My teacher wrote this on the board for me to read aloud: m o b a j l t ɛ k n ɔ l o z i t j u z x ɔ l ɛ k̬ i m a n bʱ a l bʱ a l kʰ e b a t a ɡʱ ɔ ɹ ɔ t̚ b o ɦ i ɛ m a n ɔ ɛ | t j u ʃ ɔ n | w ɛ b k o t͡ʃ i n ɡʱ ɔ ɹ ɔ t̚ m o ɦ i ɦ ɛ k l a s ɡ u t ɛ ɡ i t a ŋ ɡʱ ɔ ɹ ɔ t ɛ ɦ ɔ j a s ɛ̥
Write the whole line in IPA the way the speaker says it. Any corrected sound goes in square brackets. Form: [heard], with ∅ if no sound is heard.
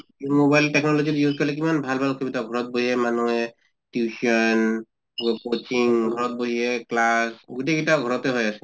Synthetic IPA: m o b a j l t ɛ k n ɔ l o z i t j u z [k] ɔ l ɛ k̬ i m a n bʱ a l bʱ a l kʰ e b [i] t a ɡʱ ɔ ɹ ɔ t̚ b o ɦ i ɛ m a n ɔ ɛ | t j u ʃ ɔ n | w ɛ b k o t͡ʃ i [ŋ] ɡʱ ɔ ɹ ɔ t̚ [b] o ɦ i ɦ ɛ k l a s ɡ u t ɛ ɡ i t a [∅] ɡʱ ɔ ɹ ɔ t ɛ ɦ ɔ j a s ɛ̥